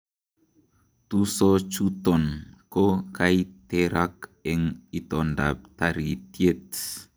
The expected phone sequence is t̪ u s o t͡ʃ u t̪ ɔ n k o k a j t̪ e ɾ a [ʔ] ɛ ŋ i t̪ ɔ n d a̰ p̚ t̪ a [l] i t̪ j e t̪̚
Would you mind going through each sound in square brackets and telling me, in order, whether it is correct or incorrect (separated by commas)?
incorrect, incorrect